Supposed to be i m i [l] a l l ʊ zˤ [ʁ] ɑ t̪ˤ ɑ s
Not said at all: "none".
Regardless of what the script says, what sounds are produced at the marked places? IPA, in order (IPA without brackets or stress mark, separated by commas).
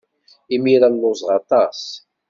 ɾ, ʁ